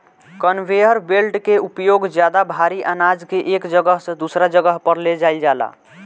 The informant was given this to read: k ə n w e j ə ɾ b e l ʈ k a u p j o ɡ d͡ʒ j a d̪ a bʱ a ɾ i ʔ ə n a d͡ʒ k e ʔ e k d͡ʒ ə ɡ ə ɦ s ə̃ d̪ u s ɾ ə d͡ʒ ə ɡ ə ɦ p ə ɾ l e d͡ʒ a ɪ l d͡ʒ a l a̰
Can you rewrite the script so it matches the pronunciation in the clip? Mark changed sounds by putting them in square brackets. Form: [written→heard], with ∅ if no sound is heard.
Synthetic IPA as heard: k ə n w e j ə ɾ b e l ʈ k [a→e] u p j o ɡ d͡ʒ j a d̪ a bʱ a ɾ i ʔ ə n a d͡ʒ k e ʔ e k d͡ʒ ə ɡ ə ɦ s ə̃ d̪ u s ɾ [ə→a] d͡ʒ ə ɡ ə ɦ p ə ɾ l e d͡ʒ a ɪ l d͡ʒ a l a̰

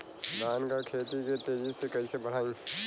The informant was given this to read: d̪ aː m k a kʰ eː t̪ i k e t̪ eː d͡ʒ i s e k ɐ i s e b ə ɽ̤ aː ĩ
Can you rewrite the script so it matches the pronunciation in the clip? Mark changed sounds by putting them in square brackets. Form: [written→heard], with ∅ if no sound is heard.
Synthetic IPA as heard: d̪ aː [m→n] k a kʰ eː t̪ i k e t̪ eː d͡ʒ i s e k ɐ i s e b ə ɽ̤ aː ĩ

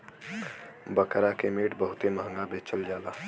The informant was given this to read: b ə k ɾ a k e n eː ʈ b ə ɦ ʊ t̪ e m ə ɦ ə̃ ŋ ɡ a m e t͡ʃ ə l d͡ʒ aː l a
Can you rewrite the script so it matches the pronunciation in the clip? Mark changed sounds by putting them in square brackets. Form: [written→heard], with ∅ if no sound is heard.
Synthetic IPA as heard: b ə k ɾ a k e [n→m] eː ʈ b ə ɦ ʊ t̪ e m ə ɦ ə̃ ŋ ɡ a [m→b] e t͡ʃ ə l d͡ʒ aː l a

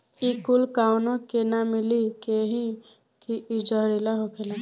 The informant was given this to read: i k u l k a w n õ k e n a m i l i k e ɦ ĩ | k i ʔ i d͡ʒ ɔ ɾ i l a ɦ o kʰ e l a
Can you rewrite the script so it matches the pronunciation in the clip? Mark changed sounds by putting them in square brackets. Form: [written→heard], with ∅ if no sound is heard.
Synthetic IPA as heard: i k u l k a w n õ k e n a m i l i k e ɦ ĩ | k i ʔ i d͡ʒ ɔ ɾ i l a ɦ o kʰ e l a

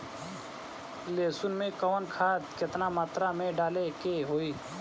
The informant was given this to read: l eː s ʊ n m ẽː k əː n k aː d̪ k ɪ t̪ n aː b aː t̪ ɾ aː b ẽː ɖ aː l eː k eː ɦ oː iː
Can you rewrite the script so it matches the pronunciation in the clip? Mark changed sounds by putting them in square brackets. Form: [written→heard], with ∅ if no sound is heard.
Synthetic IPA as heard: l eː s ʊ n m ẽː k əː n [k→kʰ] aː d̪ k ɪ t̪ n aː [b→m] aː t̪ ɾ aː [b→m] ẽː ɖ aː l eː k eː ɦ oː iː

